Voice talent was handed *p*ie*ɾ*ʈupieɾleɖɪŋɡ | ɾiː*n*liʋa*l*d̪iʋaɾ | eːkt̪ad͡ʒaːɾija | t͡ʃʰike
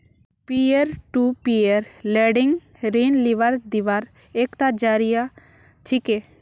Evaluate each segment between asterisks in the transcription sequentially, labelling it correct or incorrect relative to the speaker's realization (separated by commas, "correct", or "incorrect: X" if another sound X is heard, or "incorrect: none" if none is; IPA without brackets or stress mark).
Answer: correct, correct, correct, incorrect: ɾ